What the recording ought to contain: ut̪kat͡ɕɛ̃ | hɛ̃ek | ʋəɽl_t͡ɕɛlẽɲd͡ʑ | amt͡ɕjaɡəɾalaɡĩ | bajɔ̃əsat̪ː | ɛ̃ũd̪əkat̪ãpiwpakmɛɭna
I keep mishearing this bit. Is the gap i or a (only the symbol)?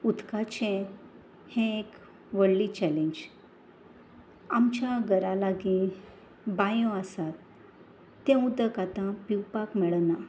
i